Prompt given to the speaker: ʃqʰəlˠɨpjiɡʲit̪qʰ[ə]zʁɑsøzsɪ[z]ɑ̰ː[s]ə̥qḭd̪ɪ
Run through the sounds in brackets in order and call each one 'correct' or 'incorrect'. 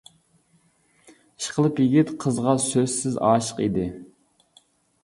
correct, correct, incorrect

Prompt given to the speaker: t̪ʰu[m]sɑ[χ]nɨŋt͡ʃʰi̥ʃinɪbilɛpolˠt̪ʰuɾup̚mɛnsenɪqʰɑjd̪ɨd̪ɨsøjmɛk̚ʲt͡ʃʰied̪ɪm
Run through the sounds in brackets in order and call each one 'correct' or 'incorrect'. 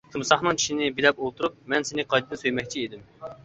correct, correct

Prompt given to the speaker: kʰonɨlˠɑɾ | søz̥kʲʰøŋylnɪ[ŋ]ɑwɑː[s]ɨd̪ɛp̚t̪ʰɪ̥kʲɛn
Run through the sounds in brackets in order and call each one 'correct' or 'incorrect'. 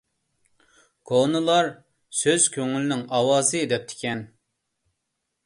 correct, incorrect

